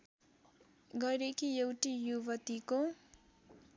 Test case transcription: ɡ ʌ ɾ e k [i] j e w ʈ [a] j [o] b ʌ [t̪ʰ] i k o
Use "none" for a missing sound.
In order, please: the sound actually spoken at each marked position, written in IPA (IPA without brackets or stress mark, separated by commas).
i, i, u, t̪